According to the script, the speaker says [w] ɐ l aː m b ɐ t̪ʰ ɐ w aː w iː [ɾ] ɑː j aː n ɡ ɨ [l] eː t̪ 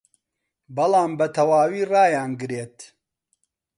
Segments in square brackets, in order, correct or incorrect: incorrect, incorrect, incorrect

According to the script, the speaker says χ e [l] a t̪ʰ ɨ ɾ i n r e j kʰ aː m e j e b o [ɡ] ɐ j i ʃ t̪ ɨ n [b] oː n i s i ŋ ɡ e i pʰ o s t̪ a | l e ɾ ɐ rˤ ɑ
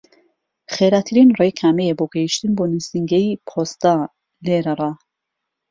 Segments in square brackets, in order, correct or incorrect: incorrect, correct, correct

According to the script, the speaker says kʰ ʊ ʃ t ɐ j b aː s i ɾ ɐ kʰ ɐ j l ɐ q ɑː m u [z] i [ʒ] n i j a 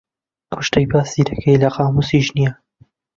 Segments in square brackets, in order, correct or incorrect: incorrect, correct

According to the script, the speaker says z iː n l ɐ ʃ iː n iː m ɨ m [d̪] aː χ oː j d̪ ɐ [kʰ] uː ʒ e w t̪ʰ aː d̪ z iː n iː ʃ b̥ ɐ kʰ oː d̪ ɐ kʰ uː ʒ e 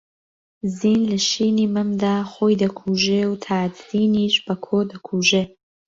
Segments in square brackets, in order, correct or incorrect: correct, correct

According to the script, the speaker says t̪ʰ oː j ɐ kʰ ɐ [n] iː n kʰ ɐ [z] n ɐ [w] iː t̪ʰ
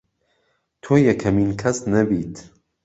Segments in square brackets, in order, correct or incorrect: incorrect, incorrect, incorrect

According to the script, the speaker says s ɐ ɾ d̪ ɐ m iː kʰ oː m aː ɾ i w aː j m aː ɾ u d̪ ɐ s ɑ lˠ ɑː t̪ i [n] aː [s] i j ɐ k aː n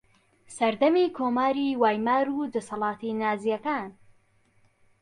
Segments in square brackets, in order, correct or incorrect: correct, incorrect

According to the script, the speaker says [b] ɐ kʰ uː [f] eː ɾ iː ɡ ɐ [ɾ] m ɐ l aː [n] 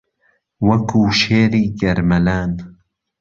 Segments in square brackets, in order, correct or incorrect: incorrect, incorrect, correct, correct

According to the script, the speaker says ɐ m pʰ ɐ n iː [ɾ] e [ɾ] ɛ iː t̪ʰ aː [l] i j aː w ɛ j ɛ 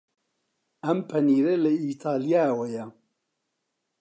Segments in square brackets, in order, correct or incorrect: correct, incorrect, correct

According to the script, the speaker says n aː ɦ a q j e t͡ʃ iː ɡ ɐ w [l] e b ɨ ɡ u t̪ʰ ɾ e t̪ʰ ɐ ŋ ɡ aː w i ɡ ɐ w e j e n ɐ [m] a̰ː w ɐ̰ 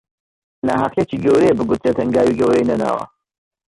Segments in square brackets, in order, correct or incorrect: incorrect, incorrect

